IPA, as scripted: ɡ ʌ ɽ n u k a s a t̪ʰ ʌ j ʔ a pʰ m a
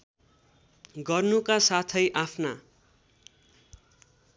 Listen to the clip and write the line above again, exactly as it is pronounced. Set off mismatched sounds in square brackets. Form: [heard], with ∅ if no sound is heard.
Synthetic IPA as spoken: ɡ ʌ [r] n u k a s a t̪ʰ ʌ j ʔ a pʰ [n] a